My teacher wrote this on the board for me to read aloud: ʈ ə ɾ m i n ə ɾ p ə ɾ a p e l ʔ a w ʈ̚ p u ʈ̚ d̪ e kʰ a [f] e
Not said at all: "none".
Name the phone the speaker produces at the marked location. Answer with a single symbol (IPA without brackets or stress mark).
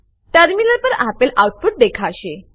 ɕ